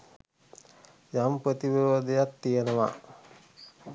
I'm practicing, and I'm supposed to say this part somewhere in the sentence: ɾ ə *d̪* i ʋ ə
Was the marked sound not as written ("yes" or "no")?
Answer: yes